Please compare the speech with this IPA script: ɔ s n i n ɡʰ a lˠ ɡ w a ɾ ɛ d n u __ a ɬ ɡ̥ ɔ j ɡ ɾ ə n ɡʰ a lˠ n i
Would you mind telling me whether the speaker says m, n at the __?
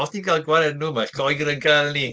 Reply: m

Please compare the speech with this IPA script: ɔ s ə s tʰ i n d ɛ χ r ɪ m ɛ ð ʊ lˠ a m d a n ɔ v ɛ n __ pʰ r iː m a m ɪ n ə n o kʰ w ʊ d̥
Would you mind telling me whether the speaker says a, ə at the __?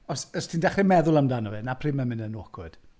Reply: a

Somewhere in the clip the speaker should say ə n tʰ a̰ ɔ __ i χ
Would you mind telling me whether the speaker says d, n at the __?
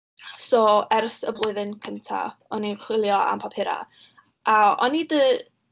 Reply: n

